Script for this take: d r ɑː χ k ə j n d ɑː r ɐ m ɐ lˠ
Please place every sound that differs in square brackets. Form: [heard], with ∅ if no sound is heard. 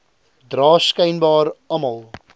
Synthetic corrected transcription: d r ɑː [s] k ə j n [b] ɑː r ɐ m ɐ lˠ